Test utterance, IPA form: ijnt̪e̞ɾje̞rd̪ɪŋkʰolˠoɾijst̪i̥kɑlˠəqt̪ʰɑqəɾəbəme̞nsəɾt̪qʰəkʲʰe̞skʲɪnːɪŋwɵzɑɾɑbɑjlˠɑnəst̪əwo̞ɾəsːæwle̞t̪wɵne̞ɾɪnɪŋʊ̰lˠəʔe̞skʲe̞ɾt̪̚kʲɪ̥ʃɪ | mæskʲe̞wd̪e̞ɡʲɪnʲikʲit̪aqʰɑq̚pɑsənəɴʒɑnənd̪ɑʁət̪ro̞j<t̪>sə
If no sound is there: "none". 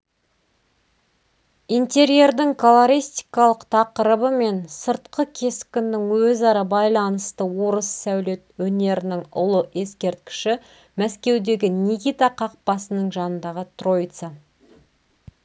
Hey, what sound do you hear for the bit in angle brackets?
t̪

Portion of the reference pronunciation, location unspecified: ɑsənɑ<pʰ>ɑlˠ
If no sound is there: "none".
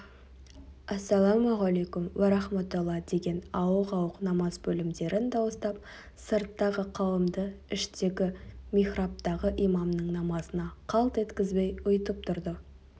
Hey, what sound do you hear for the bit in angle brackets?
qʰ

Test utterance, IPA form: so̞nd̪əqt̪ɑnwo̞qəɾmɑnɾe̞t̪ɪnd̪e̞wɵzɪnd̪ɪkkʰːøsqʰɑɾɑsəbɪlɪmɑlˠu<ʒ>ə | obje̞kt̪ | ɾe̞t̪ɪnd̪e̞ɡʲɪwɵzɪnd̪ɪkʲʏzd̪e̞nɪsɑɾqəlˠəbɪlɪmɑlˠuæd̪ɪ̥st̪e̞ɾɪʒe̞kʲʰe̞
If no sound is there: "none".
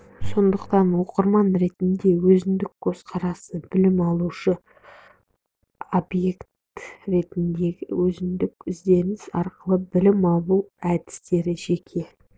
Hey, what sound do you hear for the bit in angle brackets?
ʃ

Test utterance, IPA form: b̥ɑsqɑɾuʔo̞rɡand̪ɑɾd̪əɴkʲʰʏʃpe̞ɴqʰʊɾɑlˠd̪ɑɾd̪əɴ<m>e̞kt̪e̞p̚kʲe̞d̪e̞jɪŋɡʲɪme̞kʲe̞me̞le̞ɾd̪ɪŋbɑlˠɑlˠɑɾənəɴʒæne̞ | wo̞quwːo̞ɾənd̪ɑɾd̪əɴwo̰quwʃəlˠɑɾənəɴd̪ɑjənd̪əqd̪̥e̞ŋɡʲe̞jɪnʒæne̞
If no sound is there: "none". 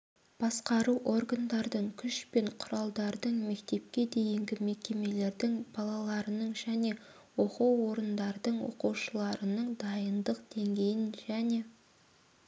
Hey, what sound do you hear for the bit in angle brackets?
m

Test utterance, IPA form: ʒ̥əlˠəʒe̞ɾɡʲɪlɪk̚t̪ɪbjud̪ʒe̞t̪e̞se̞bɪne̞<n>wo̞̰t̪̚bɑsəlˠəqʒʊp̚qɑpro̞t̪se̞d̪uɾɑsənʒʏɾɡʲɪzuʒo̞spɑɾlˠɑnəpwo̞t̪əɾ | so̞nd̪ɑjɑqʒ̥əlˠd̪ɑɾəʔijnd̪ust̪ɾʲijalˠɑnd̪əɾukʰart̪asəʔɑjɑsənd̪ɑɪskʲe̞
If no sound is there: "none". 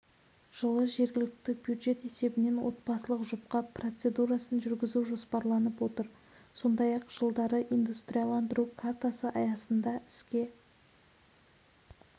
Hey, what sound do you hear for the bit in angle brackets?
n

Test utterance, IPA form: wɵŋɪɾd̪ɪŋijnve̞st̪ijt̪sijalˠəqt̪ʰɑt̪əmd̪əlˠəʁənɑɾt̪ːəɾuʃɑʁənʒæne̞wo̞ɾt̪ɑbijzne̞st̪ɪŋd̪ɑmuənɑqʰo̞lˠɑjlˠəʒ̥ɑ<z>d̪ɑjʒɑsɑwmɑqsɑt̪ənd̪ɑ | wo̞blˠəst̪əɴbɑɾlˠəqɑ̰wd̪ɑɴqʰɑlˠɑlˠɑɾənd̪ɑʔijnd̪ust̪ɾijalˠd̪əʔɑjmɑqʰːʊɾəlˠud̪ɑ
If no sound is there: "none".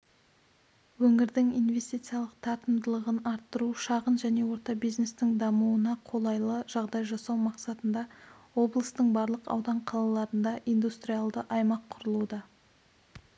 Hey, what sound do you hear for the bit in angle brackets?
ʁ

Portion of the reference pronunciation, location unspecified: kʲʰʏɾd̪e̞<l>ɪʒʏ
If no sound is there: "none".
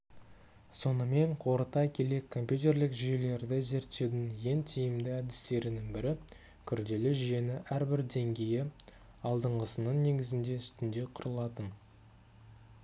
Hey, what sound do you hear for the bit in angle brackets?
l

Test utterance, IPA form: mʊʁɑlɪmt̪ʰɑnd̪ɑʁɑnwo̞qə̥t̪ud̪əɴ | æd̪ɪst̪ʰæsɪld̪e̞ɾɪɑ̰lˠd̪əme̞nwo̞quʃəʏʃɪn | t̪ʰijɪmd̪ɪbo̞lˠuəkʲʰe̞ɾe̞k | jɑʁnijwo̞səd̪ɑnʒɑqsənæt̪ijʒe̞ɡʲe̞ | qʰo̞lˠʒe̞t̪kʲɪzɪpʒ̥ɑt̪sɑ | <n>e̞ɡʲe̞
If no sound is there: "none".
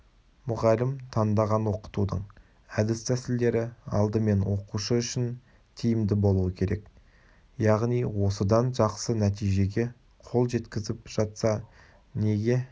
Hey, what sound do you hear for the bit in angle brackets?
n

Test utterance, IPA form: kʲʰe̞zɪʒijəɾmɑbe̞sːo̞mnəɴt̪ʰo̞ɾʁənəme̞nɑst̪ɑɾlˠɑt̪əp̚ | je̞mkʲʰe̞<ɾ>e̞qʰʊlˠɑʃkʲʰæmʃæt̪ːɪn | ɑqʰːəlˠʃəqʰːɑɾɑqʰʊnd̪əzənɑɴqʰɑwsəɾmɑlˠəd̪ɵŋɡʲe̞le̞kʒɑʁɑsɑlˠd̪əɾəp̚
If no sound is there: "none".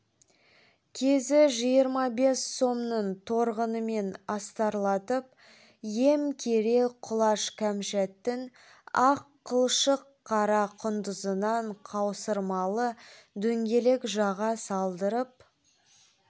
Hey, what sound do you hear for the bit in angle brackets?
ɾ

